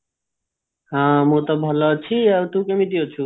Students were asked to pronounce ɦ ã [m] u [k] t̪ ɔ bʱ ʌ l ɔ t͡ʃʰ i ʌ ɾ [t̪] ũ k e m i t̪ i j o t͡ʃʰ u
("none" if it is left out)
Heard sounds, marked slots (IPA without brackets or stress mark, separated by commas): m, none, t̪